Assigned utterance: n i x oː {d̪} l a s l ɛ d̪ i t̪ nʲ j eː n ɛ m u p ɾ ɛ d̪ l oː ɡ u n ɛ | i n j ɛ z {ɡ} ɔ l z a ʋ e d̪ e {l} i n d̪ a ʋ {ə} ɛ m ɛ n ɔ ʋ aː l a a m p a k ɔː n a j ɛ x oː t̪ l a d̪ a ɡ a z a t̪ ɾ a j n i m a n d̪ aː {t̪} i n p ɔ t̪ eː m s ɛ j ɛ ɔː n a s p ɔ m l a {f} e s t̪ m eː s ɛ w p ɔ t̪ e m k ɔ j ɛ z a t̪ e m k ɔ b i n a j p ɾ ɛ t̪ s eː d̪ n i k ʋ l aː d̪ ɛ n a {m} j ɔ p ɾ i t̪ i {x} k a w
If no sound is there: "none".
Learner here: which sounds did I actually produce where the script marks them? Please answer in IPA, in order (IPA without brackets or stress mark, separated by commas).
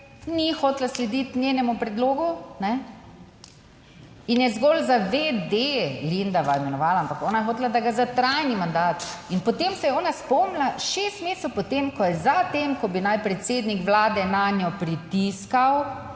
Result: t̪, ɡ, l, a, t̪, ʃ, n, s